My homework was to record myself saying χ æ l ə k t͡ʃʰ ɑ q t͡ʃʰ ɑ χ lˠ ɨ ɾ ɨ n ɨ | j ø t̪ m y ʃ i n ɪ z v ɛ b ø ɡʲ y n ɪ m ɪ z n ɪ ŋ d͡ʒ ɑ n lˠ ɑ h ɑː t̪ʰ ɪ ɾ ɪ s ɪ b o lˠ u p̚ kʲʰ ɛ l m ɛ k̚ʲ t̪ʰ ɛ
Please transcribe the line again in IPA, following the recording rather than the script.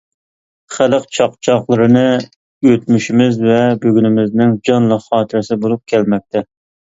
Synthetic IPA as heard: χ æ l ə q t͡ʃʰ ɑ q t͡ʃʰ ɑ χ lˠ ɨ ɾ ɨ n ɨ | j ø t̪ m y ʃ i m ɪ z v ɛ b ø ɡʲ y n ɪ m ɪ z n ɪ ŋ d͡ʒ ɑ n lˠ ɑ χ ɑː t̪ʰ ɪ ɾ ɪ s ɪ b o lˠ u p̚ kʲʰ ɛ l m ɛ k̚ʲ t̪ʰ ɛ